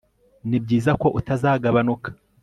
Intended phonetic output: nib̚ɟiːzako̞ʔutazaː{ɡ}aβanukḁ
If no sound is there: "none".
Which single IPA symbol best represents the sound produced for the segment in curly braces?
ɡ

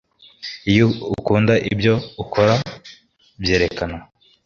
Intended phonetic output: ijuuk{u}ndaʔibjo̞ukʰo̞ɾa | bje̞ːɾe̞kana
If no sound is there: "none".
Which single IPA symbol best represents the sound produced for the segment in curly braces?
uː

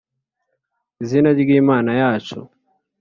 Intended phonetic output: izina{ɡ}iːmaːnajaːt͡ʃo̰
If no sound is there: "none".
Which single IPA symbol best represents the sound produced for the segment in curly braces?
ɡ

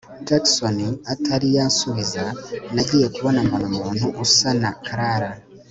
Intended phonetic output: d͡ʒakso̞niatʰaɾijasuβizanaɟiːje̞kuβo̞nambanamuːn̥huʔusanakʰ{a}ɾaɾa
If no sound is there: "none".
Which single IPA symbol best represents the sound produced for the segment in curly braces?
a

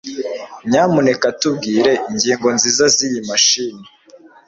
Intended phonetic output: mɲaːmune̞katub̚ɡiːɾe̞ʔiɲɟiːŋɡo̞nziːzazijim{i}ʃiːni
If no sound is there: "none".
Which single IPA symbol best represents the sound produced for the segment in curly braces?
a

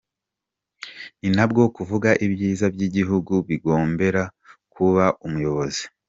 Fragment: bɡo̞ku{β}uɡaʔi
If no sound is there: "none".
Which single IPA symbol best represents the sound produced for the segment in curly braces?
v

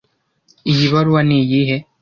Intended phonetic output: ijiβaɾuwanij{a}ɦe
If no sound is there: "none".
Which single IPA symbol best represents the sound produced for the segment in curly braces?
i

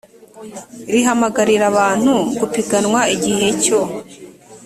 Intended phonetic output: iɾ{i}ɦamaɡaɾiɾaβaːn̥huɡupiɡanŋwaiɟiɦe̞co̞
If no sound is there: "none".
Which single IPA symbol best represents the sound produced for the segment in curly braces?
i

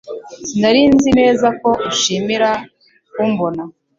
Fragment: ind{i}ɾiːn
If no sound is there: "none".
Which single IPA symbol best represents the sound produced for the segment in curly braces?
a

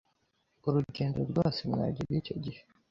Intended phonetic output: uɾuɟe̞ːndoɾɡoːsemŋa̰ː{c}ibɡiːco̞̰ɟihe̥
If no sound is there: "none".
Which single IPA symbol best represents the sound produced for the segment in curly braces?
ɟ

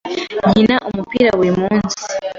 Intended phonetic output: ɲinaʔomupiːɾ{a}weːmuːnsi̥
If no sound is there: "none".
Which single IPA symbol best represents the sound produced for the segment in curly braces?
a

